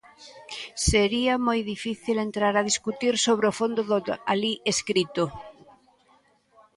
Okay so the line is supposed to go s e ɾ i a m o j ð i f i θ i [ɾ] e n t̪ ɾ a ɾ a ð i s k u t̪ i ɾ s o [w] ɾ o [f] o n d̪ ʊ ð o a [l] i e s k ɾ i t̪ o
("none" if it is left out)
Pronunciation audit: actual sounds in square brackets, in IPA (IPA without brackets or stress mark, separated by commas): l, β, f, l